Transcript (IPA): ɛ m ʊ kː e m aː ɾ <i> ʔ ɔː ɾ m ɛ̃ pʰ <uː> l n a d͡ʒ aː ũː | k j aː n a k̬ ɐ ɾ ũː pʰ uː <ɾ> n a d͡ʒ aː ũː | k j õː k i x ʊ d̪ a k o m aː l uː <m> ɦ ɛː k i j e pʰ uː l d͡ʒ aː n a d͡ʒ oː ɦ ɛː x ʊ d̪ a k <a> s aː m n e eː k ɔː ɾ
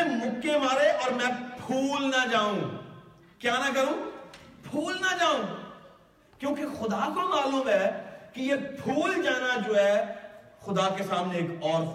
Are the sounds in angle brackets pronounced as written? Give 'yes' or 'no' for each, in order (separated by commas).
no, yes, no, yes, no